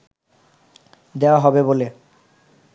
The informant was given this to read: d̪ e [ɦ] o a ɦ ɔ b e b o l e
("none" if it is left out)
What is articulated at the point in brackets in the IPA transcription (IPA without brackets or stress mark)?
none